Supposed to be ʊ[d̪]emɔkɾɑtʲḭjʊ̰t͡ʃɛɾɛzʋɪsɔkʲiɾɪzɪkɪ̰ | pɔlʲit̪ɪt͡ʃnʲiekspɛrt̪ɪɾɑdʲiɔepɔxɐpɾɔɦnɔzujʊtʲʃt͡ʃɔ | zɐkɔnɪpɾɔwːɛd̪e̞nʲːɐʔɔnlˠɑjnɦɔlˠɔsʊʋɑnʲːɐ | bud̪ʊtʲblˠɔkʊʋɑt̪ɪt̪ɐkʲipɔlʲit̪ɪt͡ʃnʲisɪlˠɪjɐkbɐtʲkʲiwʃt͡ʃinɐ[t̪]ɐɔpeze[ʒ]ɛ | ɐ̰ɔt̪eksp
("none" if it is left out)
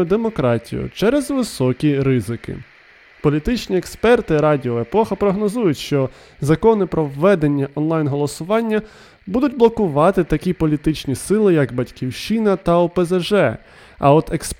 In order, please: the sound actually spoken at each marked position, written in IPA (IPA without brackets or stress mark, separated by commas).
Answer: d̪, t̪, ʒ